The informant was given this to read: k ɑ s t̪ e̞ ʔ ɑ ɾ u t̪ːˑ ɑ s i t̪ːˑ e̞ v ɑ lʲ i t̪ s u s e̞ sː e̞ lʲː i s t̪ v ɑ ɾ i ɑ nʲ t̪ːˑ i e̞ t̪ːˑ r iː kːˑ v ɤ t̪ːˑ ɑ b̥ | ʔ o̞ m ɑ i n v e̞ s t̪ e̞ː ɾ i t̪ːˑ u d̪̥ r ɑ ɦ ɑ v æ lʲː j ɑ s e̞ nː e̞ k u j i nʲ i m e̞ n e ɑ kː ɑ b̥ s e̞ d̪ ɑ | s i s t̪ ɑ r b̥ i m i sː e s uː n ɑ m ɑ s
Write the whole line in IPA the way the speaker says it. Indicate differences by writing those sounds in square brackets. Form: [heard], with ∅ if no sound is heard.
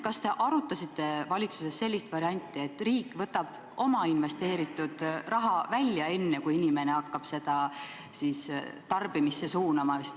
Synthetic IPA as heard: k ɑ s t̪ e̞ ʔ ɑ ɾ u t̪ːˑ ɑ s i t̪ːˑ e̞ v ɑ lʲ i t̪ s u s e̞ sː e̞ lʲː i s t̪ v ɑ ɾ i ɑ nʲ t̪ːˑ i e̞ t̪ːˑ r iː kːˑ v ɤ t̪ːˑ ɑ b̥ | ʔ o̞ m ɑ i n v e̞ s t̪ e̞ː ɾ i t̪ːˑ u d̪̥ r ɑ ɦ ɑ v æ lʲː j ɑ [∅] e̞ nː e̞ k u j i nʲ i m e̞ n e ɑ kː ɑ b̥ s e̞ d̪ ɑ | s i s t̪ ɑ r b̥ i m i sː e s uː n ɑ m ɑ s

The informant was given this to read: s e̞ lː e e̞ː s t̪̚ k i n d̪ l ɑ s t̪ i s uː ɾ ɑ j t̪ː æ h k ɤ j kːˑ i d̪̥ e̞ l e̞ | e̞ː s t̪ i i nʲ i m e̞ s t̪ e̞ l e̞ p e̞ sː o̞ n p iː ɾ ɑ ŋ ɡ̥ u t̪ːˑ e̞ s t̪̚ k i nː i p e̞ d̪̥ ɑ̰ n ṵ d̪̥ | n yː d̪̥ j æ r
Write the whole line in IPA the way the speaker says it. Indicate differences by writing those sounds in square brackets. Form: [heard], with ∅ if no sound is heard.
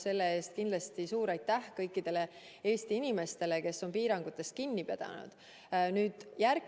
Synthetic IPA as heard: s e̞ lː e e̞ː s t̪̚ k i n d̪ l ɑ s t̪ i s uː ɾ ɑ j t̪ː æ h k ɤ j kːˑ i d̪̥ e̞ l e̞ | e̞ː s t̪ i i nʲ i m e̞ s t̪ e̞ l e̞ [k] e̞ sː o̞ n p iː ɾ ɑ ŋ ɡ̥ u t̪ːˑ e̞ s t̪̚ k i nː i p e̞ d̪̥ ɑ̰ n ṵ d̪̥ | n yː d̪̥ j æ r

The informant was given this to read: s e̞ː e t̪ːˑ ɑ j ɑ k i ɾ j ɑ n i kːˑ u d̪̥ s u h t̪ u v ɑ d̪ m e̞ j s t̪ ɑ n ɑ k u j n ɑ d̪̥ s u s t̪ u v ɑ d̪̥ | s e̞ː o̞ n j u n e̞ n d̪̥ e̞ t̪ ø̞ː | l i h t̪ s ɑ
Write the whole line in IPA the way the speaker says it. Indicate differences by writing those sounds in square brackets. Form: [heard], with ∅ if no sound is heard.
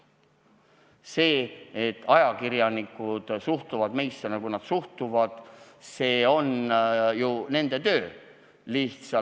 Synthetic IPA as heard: s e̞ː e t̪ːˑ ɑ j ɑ k i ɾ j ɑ n i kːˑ u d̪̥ s u h t̪ u v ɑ d̪ m e̞ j s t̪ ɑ n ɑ k u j n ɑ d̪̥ s u [h] t̪ u v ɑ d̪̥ | s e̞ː o̞ n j u n e̞ n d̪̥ e̞ t̪ ø̞ː | l i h t̪ s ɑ

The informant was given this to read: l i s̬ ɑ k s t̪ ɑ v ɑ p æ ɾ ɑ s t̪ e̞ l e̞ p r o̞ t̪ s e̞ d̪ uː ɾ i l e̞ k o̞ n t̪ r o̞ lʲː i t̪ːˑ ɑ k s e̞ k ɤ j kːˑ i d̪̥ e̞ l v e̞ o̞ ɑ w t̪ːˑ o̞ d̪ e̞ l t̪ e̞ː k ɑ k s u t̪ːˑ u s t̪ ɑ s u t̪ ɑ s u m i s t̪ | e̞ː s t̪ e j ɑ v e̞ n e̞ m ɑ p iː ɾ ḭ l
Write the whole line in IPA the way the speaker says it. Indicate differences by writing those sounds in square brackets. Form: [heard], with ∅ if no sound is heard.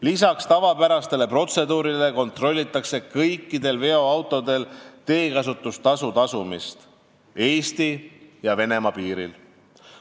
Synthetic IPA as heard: l i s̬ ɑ k s t̪ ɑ v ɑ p æ ɾ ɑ s t̪ e̞ l e̞ p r o̞ t̪ s e̞ d̪ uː ɾ i l e̞ k o̞ n t̪ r o̞ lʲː i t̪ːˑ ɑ k s e̞ k ɤ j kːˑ i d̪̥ e̞ l v e̞ o̞ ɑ w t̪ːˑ o̞ d̪ e̞ l t̪ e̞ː k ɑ [∅] s u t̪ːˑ u s t̪ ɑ s u t̪ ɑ s u m i s t̪ | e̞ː s t̪ [i] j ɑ v e̞ n e̞ m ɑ p iː ɾ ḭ l

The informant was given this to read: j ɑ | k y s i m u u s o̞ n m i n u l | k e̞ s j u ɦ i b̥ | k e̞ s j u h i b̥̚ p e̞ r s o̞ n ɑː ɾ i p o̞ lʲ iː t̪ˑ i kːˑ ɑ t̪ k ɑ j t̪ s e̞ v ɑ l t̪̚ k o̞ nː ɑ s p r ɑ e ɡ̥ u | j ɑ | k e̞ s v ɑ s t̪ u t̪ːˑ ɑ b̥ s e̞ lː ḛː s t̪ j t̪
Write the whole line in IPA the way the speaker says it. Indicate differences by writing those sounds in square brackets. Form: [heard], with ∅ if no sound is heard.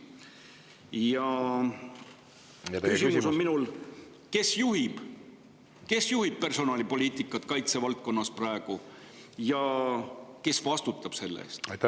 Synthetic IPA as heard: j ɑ | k y s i m u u s o̞ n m i n u l | k e̞ s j u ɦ i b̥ | k e̞ s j u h i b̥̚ p e̞ r s o̞ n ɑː [l] i p o̞ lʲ iː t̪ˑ i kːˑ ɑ t̪ k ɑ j t̪ s e̞ v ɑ l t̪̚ k o̞ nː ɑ s p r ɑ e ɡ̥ u | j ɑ | k e̞ s v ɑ s t̪ u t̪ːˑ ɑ b̥ s e̞ lː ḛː s t̪ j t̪

